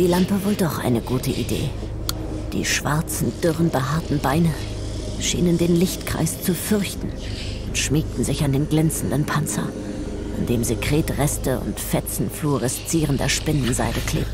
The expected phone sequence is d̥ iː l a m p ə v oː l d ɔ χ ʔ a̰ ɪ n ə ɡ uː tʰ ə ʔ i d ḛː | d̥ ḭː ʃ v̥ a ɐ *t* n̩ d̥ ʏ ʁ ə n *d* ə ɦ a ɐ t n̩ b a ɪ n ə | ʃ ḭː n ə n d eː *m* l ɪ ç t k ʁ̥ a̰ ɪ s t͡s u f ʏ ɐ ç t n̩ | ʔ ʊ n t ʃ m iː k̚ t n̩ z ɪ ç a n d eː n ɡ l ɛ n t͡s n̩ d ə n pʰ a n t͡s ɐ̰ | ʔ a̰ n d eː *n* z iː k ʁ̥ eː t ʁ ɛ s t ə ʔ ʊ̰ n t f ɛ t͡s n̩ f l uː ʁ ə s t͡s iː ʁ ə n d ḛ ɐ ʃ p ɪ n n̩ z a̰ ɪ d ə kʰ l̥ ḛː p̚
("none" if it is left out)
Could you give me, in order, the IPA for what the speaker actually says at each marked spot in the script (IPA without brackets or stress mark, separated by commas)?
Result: t͡s, b, n, m